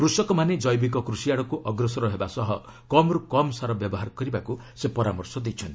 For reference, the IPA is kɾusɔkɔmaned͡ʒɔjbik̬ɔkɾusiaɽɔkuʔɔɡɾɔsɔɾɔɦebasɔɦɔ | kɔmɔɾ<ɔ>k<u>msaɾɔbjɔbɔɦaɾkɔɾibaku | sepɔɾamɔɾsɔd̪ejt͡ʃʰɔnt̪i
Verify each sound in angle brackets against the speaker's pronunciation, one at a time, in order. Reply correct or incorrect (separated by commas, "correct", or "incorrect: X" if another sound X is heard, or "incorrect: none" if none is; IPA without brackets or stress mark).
incorrect: u, incorrect: ɔ